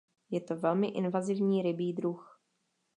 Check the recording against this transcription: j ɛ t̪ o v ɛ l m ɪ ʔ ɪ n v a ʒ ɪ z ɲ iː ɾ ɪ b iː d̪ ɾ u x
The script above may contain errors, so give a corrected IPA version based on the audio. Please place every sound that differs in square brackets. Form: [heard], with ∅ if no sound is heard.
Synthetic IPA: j ɛ t̪ o v ɛ l m ɪ ʔ ɪ n v a [z] ɪ [v] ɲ iː ɾ ɪ b iː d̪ ɾ u x